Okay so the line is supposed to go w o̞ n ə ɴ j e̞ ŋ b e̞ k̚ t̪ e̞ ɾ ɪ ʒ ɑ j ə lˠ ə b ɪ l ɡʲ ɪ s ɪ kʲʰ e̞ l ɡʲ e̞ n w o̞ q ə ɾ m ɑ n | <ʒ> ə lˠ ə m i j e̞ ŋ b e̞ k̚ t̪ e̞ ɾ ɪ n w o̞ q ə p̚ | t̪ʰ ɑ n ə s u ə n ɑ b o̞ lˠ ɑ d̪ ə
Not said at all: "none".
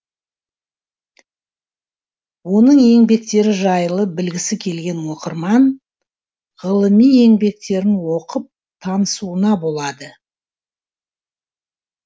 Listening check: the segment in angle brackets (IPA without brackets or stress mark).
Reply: ʁ